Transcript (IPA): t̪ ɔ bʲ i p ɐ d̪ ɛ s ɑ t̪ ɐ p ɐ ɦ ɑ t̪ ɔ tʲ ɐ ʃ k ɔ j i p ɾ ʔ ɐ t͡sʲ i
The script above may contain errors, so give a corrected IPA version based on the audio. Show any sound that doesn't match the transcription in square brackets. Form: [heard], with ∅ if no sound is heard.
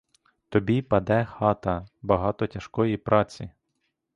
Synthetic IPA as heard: t̪ ɔ bʲ i p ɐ d̪ ɛ [x] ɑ t̪ ɐ [b] ɐ ɦ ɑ t̪ ɔ tʲ ɐ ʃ k ɔ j i p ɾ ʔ [ɑ] t͡sʲ i